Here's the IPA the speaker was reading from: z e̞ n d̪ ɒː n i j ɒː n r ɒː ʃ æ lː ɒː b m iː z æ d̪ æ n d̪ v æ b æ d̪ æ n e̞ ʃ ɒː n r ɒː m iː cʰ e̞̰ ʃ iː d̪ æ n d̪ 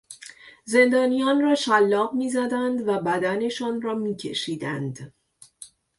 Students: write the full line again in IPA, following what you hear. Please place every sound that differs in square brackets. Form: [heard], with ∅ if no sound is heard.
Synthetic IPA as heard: z e̞ n d̪ ɒː n i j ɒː n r ɒː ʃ æ lː ɒː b m iː z æ d̪ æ n d̪ v æ b æ d̪ æ n e̞ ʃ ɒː n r ɒː m iː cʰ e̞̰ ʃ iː d̪ æ n d̪